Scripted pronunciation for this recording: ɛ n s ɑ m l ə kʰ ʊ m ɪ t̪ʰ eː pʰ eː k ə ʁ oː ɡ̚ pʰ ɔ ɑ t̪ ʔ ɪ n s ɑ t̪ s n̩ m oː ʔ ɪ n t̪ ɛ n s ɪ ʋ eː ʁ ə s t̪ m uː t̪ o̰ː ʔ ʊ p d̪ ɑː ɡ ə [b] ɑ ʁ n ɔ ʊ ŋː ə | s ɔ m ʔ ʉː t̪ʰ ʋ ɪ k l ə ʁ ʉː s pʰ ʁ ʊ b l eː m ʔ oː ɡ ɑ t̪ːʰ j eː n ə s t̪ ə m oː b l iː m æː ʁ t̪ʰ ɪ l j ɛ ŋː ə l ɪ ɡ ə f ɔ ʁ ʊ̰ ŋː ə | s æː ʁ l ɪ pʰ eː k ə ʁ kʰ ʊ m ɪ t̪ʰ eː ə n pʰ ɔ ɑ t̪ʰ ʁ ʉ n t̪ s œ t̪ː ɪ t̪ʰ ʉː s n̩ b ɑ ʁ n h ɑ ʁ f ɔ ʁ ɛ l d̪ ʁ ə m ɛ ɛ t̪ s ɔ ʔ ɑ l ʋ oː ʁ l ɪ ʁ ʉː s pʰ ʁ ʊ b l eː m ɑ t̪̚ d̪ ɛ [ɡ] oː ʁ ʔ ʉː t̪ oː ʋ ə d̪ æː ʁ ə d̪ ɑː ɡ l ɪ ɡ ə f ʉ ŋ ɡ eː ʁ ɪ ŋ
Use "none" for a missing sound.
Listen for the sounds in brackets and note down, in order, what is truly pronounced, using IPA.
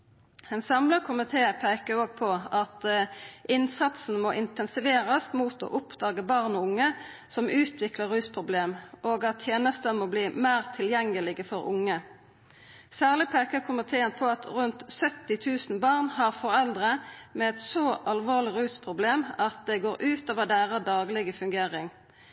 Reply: b, ɡ

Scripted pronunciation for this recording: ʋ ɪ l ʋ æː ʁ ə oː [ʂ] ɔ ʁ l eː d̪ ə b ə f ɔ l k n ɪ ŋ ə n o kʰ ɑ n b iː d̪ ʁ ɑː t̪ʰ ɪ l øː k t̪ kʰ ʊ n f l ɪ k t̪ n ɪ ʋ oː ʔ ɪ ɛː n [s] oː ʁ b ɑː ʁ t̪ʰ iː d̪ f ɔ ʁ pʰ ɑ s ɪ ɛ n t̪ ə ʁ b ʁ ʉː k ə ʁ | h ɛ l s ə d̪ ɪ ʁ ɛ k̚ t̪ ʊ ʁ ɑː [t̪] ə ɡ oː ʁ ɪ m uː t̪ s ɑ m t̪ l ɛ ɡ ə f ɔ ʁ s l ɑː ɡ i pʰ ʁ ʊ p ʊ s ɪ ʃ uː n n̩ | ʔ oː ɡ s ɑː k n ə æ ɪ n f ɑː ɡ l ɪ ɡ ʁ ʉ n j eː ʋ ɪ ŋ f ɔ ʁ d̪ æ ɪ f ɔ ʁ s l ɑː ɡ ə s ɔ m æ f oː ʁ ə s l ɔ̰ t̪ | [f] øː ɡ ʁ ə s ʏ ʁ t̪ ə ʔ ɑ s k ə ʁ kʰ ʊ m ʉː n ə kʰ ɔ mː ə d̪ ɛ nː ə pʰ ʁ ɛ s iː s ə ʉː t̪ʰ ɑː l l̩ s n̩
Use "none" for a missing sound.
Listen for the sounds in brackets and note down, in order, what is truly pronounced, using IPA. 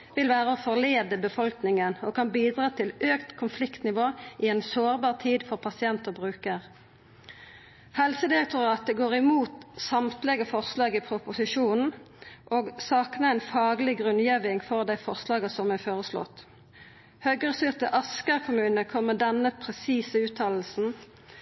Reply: f, s, t̪, h

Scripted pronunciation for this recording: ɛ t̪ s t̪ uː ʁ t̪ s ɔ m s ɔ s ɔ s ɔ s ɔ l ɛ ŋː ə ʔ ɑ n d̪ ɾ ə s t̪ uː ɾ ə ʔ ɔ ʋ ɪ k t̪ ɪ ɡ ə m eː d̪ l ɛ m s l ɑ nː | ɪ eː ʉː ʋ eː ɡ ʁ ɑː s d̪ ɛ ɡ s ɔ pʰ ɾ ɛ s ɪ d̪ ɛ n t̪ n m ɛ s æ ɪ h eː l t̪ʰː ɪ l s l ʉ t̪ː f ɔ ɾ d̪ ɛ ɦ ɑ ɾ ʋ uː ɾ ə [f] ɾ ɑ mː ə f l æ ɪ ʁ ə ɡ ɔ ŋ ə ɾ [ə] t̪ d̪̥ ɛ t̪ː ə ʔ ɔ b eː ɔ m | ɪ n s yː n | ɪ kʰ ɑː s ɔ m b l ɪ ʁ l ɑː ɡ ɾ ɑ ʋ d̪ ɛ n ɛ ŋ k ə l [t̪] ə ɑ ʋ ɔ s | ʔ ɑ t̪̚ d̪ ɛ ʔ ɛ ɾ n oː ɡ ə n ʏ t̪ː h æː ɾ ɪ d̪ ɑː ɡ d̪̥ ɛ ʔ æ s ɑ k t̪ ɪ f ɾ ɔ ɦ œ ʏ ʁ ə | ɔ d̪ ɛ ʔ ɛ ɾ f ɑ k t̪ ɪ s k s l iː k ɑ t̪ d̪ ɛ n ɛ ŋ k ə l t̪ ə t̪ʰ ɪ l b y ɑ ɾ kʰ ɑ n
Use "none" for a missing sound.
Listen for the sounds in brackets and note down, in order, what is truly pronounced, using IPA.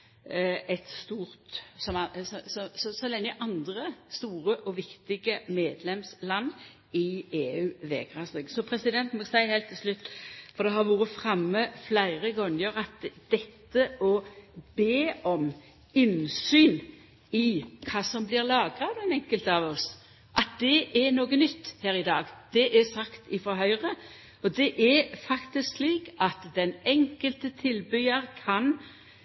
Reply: f, ɑ, t̪

